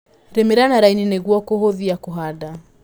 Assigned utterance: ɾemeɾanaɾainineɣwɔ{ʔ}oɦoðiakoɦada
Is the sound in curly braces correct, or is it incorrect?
incorrect